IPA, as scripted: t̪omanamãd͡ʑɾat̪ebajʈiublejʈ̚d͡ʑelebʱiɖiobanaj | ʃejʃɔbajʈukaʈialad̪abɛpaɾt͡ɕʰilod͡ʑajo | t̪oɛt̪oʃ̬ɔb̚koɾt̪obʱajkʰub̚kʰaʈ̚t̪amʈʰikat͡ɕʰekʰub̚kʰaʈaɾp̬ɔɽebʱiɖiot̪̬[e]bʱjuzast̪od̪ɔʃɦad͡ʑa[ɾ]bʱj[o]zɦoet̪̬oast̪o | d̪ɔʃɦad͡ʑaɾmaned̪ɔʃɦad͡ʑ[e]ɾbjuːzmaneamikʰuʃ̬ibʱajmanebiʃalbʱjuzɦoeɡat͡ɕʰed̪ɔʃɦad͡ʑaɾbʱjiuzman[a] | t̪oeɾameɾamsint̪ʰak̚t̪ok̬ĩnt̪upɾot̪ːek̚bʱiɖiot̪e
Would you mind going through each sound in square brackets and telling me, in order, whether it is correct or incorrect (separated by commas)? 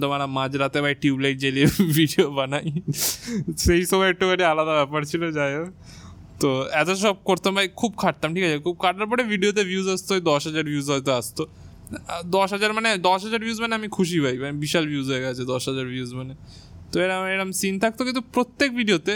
correct, correct, incorrect, incorrect, incorrect